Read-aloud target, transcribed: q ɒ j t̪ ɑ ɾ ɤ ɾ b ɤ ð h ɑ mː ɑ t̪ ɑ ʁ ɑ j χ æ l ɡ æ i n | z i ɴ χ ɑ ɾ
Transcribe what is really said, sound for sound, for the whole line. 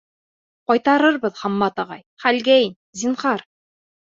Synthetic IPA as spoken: q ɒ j t̪ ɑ ɾ ɤ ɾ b ɤ ð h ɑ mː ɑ t̪ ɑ ʁ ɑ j χ æ l ɡ æ i n | z i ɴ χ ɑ ɾ